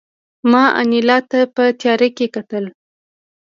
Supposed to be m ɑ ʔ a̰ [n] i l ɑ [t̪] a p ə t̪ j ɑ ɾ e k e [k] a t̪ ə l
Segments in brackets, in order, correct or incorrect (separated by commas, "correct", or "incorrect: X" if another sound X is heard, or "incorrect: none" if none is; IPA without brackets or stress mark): correct, correct, correct